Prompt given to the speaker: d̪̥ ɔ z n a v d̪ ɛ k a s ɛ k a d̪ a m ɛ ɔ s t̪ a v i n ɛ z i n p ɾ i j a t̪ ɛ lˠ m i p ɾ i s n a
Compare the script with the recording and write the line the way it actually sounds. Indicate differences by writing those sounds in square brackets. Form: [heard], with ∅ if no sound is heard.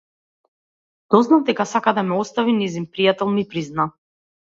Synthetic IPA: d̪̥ ɔ z n a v d̪ ɛ k a s [a] k a d̪ a m ɛ ɔ s t̪ a v i n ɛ z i n p ɾ i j a t̪ ɛ lˠ m i p ɾ i [z] n a